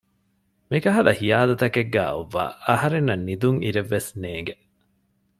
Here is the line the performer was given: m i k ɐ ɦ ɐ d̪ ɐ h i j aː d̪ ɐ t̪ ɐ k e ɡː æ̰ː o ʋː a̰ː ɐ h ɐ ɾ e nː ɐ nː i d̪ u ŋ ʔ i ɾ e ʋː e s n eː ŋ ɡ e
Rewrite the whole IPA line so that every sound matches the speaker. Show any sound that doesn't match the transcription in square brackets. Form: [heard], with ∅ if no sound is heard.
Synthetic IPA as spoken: m i k ɐ ɦ ɐ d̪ ɐ h i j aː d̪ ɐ t̪ ɐ k e ɡː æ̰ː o ʋː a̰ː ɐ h ɐ ɾ e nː ɐ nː i d̪ u ŋ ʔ i ɾ e ʋː e s n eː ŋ ɡ e